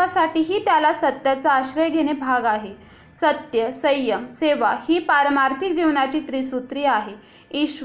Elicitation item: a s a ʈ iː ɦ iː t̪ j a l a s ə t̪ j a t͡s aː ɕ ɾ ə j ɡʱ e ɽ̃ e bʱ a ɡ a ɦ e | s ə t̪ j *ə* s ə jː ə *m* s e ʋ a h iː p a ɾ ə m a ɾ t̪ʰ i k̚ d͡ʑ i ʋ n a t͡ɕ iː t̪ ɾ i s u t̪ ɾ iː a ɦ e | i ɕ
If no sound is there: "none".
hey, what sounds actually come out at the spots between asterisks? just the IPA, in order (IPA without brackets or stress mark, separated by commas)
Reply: ə, m